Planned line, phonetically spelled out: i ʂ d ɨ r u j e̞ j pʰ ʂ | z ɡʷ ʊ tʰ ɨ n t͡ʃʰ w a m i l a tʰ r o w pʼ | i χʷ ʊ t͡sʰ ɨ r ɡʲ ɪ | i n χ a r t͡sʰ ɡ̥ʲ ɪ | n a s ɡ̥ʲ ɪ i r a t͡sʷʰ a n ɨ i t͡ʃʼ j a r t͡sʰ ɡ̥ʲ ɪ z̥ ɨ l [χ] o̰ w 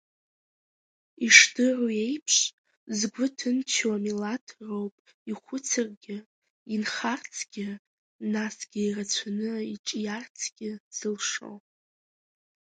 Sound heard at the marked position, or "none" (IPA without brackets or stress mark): ʂ